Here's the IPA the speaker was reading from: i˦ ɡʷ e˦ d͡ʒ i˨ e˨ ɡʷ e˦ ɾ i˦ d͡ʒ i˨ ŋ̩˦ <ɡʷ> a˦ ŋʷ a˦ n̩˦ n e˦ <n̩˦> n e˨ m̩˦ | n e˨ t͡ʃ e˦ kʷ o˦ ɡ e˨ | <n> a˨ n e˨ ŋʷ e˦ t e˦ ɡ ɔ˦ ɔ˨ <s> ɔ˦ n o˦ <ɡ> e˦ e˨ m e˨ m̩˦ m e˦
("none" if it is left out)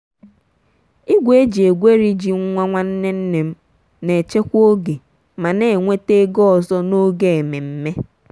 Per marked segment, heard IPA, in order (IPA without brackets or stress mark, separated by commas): ŋʷ, n̩˦, m, z, ɡ